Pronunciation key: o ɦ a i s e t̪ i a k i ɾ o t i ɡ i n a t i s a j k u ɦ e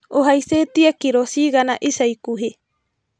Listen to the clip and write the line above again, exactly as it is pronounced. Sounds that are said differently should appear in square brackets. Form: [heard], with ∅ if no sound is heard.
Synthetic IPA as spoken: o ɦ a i s e t̪ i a k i ɾ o [s] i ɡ [a] n a [ʔ] i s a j k u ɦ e